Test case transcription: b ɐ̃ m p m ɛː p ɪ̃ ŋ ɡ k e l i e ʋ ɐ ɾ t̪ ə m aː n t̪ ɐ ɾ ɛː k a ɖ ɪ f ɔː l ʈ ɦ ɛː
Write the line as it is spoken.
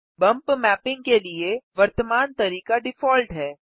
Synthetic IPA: b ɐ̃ m p m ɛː p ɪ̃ ŋ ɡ k e l i e ʋ ɐ ɾ t̪ ə m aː n t̪ ɐ ɾ iː k a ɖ ɪ f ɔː l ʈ ɦ ɛː